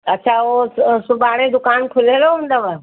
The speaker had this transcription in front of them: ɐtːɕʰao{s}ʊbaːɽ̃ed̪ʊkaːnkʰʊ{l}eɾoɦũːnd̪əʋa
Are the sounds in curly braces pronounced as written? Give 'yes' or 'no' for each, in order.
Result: yes, yes

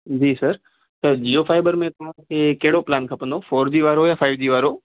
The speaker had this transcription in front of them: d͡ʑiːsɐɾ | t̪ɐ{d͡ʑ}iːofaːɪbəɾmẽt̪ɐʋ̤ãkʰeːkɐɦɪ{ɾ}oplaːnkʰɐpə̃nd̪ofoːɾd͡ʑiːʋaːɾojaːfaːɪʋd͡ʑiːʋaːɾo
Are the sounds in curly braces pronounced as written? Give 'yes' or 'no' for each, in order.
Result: yes, no

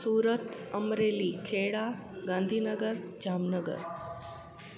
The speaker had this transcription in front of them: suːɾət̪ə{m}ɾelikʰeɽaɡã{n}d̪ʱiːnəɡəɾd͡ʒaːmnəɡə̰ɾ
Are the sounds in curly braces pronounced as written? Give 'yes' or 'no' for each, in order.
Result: yes, yes

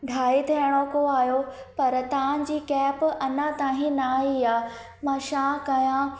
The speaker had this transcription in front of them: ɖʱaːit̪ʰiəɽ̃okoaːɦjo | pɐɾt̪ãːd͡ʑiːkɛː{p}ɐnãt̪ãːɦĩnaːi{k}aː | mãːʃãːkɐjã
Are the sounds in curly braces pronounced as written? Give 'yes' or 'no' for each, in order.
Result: yes, no

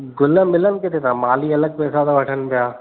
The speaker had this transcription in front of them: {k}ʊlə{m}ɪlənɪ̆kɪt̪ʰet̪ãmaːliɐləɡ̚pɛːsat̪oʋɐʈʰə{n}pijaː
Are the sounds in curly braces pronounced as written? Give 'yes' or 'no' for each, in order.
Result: no, yes, yes

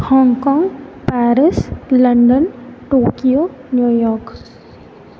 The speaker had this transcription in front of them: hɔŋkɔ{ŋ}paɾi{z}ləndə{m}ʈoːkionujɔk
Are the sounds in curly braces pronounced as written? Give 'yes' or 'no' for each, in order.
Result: yes, no, no

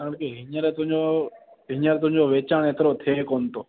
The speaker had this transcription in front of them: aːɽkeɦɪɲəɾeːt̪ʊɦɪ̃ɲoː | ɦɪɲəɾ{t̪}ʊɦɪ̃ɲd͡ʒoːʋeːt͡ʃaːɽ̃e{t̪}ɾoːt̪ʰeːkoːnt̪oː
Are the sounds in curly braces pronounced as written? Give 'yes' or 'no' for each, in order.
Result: yes, yes

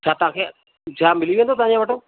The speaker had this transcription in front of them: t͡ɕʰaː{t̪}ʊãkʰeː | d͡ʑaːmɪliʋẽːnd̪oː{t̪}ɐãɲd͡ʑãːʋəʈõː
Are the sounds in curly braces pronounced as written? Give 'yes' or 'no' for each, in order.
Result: yes, yes

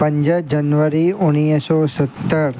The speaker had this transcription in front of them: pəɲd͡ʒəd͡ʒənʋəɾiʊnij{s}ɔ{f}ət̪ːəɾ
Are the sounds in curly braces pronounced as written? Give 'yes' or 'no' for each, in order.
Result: yes, no

